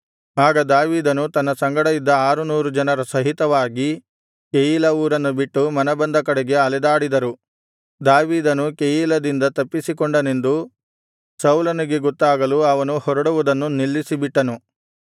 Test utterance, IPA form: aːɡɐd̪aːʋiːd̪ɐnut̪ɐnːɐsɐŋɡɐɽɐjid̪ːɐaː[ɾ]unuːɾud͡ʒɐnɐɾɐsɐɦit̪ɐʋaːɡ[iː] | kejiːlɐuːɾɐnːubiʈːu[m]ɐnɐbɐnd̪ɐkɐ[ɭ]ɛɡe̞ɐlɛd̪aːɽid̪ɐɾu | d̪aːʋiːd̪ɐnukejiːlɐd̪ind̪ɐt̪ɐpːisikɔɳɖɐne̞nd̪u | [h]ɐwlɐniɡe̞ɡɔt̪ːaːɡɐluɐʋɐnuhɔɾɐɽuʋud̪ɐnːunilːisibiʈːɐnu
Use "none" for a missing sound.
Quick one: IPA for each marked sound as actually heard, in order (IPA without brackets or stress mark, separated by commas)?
ɾ, i, m, ɽ, s